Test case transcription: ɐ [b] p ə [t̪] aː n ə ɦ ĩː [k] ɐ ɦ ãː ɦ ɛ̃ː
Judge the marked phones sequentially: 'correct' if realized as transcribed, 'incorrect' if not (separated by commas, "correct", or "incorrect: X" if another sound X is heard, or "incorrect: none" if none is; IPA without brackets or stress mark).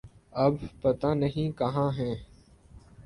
correct, correct, correct